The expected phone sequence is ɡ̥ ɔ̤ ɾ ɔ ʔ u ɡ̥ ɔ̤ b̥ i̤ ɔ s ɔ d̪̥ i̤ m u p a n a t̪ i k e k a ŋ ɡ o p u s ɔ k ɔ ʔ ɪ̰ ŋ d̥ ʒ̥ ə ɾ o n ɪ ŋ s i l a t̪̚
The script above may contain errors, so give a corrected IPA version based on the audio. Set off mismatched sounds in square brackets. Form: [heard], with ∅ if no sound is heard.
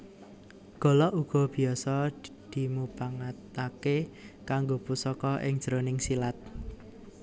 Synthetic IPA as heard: ɡ̥ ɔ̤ [l] ɔ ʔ u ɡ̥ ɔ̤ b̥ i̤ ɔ s ɔ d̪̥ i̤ m u p a [ŋ] a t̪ [a] k e k a ŋ ɡ o p u s ɔ k ɔ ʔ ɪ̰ ŋ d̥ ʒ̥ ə ɾ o n ɪ ŋ s i l a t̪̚